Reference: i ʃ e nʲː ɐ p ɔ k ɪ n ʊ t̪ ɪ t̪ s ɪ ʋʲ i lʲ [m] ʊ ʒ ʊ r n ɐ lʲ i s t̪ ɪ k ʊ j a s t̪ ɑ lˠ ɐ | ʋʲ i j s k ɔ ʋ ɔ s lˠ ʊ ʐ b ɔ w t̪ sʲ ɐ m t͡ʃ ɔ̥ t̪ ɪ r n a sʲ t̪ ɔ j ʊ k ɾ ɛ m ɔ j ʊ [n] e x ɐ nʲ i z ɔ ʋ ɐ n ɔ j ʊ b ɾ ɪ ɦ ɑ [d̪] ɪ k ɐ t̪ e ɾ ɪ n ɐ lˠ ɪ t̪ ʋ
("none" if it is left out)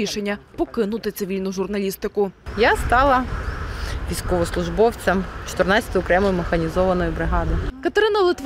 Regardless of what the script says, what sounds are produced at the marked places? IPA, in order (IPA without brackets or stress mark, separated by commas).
n, m, d̪